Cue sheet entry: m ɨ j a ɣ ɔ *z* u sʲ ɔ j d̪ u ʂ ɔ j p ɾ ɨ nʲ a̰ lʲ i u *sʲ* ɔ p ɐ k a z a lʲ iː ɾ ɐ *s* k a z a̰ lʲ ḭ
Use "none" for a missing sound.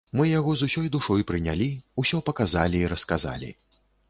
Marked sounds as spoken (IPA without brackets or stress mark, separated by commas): z, sʲ, s